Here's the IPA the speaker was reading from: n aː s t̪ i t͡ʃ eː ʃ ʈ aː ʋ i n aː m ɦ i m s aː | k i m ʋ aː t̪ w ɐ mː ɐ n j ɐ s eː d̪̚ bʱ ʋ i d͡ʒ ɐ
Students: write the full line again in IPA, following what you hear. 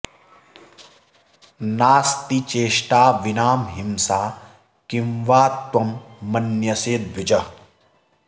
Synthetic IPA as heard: n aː s t̪ i t͡ʃ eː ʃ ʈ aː ʋ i n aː m ɦ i m s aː | k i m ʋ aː t̪ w ɐ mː ɐ n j ɐ s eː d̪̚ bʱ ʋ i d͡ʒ ɐ